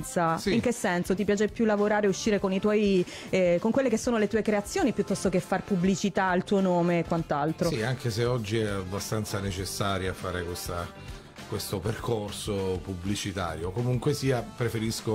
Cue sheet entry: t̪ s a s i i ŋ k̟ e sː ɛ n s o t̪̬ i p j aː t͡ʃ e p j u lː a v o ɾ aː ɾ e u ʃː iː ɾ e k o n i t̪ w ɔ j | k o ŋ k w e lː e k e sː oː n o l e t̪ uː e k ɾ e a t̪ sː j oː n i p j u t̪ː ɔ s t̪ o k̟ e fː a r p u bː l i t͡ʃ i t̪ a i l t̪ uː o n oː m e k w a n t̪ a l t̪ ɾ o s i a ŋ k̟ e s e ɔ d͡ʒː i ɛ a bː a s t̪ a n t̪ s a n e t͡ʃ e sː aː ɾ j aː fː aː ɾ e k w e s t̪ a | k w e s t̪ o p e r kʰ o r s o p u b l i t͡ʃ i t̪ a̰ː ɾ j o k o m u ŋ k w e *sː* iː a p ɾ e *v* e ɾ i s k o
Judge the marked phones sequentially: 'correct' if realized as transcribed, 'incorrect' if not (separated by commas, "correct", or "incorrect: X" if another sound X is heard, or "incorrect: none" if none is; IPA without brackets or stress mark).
incorrect: s, incorrect: f